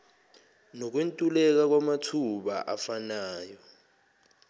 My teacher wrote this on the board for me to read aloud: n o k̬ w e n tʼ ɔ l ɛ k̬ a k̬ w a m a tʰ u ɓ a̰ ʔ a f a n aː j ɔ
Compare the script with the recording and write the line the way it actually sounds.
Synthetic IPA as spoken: n o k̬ w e n tʼ u l ɛ k̬ a k̬ w a m a tʰ u ɓ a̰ ʔ a f a n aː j ɔ